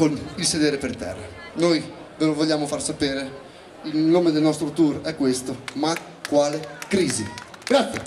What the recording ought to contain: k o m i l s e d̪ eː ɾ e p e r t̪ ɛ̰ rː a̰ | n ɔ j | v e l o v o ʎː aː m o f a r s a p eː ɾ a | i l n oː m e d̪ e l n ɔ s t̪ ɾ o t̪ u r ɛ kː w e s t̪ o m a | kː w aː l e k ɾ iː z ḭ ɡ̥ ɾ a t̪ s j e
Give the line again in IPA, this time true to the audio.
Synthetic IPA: k o n i l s e d̪ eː ɾ e p e r t̪ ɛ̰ rː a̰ | n o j | v e l o v o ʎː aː m o f a r s a p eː ɾ e | i l n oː m e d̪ e l n ɔ s t̪ ɾ o t̪ u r ɛ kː w e s t̪ o m a | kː w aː l e k ɾ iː z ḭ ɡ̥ ɾ a t̪ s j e